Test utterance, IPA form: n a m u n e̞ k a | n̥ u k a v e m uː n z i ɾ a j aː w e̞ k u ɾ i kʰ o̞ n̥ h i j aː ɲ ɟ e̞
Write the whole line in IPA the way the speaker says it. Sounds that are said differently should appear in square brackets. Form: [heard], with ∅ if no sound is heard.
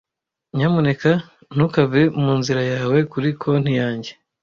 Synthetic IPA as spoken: [ɲ] a m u n e̞ k a | n̥ u k a v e m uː n z i ɾ a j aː w e̞ k u ɾ i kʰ o̞ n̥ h i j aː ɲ ɟ e̞